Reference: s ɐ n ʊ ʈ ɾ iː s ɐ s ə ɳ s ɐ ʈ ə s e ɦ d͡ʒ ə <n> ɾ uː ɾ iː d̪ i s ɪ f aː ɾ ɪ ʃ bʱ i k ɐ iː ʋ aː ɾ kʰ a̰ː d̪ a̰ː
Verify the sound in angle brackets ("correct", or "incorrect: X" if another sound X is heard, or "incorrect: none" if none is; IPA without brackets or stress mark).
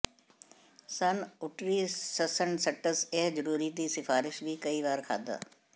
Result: incorrect: none